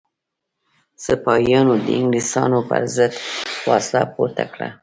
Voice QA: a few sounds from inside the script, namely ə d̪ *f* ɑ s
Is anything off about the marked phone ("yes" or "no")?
no